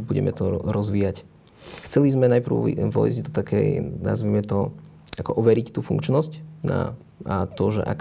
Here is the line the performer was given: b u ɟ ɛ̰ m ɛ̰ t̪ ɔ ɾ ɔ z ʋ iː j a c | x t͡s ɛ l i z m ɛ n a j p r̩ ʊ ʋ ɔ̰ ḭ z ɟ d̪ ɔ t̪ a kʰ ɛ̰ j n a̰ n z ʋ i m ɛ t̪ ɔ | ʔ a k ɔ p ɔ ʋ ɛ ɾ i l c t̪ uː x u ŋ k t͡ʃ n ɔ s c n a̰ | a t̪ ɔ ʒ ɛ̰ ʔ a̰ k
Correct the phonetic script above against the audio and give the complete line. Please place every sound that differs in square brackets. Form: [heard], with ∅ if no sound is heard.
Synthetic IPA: b u ɟ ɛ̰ m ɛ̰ t̪ ɔ ɾ ɔ z ʋ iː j a c | x t͡s ɛ l i z m ɛ n a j p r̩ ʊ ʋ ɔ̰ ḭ z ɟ d̪ ɔ t̪ a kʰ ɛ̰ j n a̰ [∅] z ʋ i m ɛ t̪ ɔ | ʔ a k ɔ [ʔ] ɔ ʋ ɛ ɾ i [∅] c t̪ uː [f] u ŋ k t͡ʃ n ɔ s c n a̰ | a t̪ ɔ ʒ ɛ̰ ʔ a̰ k